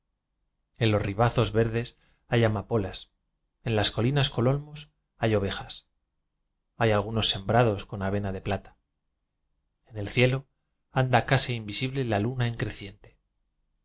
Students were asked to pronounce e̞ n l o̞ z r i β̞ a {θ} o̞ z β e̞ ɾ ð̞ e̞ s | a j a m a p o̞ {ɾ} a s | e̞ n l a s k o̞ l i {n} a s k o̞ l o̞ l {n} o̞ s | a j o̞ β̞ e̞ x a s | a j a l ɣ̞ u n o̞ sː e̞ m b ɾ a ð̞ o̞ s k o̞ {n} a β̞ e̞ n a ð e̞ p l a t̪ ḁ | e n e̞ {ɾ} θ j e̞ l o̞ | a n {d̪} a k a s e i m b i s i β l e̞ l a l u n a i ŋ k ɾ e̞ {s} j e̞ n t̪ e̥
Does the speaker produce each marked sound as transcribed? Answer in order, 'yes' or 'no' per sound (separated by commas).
yes, no, yes, no, yes, no, yes, no